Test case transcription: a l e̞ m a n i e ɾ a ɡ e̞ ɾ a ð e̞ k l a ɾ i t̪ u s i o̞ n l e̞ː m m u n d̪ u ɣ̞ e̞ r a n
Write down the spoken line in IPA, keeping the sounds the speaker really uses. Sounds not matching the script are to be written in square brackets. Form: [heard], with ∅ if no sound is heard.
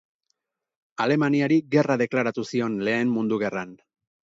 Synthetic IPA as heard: a l e̞ m a n i [a] ɾ [i] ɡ e̞ [r] a ð e̞ k l a ɾ [a] t̪ u s i o̞ n l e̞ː m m u n d̪ u ɣ̞ e̞ r a n